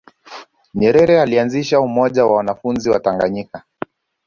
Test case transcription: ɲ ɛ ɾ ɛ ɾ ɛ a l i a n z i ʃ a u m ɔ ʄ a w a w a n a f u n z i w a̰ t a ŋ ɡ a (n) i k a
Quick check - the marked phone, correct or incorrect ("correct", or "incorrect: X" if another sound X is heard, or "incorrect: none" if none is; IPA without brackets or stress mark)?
incorrect: ɲ